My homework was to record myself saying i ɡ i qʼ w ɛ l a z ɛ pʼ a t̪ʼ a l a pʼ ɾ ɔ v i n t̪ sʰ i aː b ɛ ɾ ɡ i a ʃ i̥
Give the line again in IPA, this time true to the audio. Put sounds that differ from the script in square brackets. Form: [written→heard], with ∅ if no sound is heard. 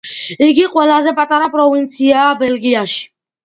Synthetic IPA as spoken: i ɡ i qʼ w ɛ l a z ɛ pʼ a t̪ʼ a [l→ɾ] a pʼ ɾ ɔ v i n t̪ sʰ i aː b ɛ [ɾ→l] ɡ i a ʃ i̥